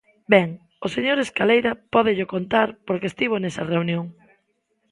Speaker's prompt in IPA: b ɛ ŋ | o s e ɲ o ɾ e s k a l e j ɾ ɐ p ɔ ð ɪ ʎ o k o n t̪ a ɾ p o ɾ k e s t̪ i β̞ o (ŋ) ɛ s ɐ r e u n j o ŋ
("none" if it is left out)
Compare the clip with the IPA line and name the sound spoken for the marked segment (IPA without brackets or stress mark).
n